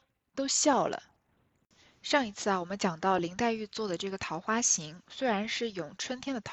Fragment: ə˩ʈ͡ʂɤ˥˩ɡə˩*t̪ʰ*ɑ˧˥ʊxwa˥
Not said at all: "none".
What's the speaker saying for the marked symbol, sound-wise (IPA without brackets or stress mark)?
t̪ʰ